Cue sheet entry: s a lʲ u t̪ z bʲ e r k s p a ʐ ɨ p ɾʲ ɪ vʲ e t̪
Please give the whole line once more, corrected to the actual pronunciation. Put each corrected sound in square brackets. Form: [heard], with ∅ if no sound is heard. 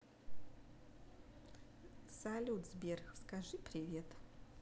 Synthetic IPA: s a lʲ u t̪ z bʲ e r [x] s [k] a ʐ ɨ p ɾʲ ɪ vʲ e t̪